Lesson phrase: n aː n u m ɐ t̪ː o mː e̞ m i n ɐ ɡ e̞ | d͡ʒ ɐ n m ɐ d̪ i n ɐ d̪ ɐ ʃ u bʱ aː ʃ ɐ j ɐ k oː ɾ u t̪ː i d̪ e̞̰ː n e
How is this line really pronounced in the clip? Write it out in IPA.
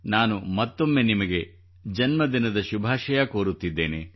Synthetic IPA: n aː n u m ɐ t̪ː o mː e̞ n i m ɐ ɡ e̞ | d͡ʒ ɐ n m ɐ d̪ i n ɐ d̪ ɐ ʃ u bʱ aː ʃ ɐ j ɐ k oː ɾ u t̪ː i d̪ː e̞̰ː n e